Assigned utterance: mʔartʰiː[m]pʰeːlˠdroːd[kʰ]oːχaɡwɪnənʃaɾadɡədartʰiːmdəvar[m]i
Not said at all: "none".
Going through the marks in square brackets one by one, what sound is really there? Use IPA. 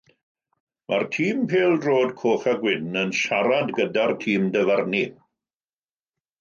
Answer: m, kʰ, n

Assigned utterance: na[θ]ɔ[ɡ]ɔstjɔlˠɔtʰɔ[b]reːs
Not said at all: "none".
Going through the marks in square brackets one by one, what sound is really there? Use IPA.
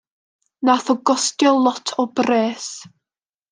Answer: θ, ɡ, b

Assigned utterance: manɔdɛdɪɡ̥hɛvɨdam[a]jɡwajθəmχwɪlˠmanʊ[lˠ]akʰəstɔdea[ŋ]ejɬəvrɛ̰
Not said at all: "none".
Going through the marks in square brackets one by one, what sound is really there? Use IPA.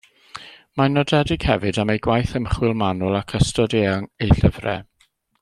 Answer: e, lˠ, ŋ

